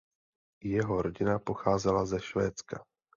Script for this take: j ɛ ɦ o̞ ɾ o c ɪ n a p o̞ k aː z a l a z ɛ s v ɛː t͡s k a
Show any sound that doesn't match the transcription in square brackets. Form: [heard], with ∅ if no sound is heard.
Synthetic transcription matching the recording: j ɛ ɦ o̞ ɾ o [ɟ] ɪ n a p o̞ [x] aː z [ɛ] l a z ɛ [ʃ] v ɛː t͡s k a